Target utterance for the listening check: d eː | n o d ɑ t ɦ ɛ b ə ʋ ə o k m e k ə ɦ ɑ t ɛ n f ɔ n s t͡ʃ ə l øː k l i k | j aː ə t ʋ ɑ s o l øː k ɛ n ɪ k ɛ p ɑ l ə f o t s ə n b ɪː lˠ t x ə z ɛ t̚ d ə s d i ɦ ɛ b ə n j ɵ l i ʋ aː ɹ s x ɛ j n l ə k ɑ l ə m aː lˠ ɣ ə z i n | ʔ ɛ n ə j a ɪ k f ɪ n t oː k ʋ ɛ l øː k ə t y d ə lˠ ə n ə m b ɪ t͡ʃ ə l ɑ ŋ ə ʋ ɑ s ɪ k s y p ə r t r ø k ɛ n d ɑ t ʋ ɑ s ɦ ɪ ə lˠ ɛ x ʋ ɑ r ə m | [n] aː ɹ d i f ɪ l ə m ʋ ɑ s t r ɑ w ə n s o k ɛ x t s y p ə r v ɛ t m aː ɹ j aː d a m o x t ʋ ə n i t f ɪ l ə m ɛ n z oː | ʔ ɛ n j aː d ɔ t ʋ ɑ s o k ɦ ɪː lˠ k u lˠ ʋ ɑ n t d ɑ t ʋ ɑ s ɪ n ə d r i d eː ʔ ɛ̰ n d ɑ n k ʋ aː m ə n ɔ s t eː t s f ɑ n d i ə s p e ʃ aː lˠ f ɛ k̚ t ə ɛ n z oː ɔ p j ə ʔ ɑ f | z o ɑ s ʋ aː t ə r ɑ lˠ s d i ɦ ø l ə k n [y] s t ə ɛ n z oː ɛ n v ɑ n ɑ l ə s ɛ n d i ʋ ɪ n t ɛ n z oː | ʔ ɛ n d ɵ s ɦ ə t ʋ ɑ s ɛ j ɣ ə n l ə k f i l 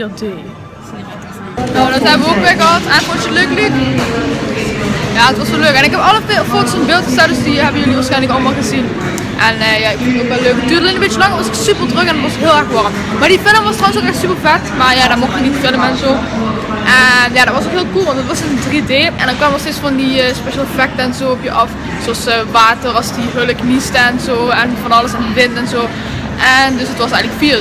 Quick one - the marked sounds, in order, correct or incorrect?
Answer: incorrect: m, incorrect: i

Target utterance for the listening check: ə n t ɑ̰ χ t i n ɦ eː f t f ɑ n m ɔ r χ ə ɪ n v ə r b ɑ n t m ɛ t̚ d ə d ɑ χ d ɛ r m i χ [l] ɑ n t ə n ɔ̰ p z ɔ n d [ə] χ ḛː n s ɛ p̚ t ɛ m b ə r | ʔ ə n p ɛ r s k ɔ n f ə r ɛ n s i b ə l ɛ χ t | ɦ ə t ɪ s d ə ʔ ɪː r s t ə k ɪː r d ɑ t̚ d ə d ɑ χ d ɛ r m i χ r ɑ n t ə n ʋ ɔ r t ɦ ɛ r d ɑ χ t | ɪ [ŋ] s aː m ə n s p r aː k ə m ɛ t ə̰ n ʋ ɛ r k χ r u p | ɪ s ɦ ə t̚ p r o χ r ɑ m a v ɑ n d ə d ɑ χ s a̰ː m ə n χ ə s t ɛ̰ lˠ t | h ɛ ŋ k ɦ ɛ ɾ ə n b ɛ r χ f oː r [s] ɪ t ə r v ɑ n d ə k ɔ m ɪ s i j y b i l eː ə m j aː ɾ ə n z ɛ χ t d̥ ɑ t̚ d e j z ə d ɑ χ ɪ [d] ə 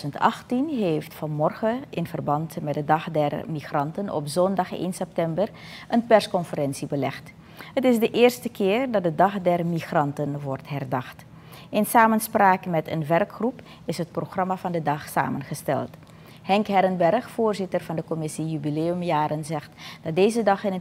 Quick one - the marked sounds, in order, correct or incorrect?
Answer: incorrect: r, incorrect: ɑ, incorrect: n, incorrect: z, incorrect: n

